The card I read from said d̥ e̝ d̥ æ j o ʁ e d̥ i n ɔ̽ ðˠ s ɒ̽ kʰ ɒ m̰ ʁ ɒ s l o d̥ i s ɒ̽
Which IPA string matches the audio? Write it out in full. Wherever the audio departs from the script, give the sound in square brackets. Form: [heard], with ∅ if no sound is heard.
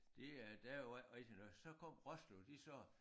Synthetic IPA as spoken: d̥ e̝ d̥ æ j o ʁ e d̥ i n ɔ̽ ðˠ s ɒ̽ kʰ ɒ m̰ ʁ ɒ s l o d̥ i s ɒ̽